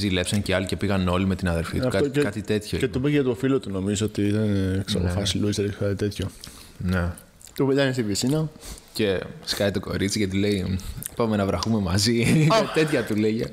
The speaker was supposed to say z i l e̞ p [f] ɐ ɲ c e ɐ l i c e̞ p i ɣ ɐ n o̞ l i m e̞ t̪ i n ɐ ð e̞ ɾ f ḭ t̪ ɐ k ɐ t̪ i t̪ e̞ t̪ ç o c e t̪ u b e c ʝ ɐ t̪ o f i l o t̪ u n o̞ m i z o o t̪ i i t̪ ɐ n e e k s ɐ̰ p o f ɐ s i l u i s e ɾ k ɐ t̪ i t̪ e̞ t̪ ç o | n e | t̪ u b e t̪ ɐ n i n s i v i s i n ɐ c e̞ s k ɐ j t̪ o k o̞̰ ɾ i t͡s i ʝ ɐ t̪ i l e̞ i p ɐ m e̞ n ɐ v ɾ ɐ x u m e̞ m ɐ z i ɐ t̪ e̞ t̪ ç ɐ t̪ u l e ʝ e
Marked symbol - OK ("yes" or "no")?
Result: no